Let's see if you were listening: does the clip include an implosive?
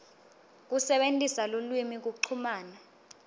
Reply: yes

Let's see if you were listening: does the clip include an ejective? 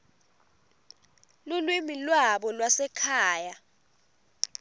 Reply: no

